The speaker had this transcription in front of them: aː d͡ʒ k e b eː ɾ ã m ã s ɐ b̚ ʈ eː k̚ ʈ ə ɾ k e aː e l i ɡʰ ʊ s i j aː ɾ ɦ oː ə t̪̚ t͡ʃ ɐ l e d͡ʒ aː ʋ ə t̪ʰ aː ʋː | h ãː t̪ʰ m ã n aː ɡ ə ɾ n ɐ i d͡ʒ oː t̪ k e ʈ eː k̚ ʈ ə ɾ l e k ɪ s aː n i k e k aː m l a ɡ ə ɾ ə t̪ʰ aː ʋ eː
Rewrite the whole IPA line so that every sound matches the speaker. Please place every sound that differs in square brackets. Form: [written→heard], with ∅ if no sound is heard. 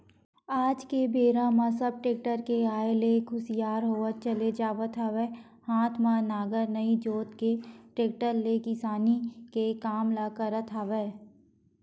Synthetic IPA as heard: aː d͡ʒ k e b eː ɾ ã m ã s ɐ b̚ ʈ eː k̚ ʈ ə ɾ k e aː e l [i→e] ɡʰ ʊ s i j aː ɾ ɦ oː ə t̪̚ t͡ʃ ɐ l e d͡ʒ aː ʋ ə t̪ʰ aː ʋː | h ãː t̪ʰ m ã n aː ɡ ə ɾ n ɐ i d͡ʒ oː t̪ k e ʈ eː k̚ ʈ ə ɾ l e k ɪ s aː n i k e k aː m l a [ɡ→k] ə ɾ ə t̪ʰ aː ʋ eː

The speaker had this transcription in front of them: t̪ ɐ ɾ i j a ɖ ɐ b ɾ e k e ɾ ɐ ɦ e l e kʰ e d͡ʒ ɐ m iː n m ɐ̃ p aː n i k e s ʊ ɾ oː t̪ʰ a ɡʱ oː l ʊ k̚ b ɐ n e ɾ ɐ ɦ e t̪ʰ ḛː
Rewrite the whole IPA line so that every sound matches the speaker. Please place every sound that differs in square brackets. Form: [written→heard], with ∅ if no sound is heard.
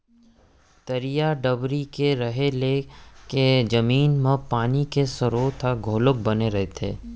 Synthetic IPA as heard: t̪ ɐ ɾ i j a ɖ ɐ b ɾ [e→i] k e ɾ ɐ ɦ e l e [kʰ→k] e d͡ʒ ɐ m iː n m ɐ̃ p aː n i k e s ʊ ɾ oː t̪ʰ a ɡʱ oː l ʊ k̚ b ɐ n e ɾ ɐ ɦ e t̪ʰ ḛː

